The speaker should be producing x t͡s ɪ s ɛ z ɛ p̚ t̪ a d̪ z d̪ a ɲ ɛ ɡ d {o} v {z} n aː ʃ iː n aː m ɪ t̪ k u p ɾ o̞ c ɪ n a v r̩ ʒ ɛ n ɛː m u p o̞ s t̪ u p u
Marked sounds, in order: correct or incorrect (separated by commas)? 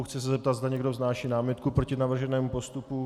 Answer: correct, correct